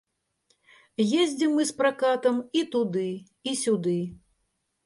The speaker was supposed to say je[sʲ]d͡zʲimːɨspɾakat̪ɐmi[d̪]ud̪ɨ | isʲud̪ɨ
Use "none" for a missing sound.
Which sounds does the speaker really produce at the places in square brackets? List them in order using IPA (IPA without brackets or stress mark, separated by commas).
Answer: zʲ, t̪